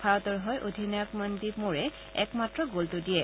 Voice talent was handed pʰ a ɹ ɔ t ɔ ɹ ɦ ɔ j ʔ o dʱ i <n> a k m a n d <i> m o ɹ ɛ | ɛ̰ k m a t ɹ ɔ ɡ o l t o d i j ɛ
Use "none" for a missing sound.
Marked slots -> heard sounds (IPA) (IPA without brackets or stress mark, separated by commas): n, i